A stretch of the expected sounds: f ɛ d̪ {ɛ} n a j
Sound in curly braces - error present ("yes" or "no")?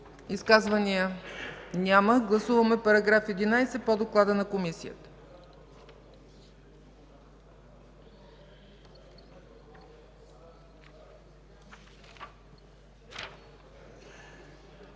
yes